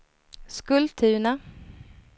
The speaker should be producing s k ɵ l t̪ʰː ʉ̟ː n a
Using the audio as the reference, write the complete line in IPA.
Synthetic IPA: s k ɵ l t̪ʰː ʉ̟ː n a

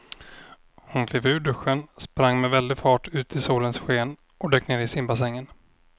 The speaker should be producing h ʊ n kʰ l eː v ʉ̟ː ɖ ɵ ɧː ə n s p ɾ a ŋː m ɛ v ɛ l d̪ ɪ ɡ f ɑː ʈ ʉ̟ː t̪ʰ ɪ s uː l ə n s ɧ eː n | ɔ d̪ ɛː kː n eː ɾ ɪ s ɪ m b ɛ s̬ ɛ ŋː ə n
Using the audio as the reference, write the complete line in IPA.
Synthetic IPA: h ʊ n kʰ l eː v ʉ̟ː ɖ ɵ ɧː ə n s p ɾ a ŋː m ɛ v ɛ l d̪ ɪ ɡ f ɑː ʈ ʉ̟ː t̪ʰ ɪ s uː l ə n s ɧ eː n | ɔ d̪ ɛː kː n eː ɾ ɪ s ɪ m b a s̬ ɛ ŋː ə n

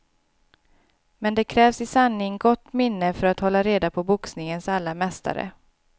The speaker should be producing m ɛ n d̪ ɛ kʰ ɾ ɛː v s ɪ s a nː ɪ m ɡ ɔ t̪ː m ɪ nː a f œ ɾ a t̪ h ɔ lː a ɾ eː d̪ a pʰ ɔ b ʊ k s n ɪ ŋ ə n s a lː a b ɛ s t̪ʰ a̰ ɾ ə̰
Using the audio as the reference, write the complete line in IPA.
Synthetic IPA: m ɛ n d̪ ɛ kʰ ɾ ɛː v s ɪ s a nː ɪ ŋ ɡ ɔ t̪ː m ɪ nː ə f œ ɾ a t̪ h ɔ lː a ɾ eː d̪ a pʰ ɔ b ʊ k s n ɪ ŋ ə n s a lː a m ɛ s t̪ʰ a̰ ɾ ə̰

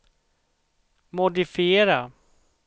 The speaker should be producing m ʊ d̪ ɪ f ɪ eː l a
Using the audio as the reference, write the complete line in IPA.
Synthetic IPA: m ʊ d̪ ɪ f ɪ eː ɾ a

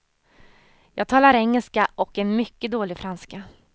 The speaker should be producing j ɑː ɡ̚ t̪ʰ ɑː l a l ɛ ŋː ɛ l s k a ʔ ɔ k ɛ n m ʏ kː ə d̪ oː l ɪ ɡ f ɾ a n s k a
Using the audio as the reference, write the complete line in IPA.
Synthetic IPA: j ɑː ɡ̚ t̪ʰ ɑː l a ɾ ɛ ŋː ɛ l s k a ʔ ɔ k ɛ n m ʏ kː ə d̪ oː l ɪ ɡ f ɾ a n s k a

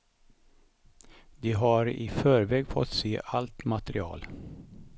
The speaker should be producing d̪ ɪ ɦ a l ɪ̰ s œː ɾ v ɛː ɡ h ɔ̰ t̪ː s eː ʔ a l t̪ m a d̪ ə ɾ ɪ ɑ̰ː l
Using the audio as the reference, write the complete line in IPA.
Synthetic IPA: d̪ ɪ ɦ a ɾ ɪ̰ f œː ɾ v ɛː ɡ f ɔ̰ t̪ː s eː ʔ a l t̪ m a t̪ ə ɾ ɪ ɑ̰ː l

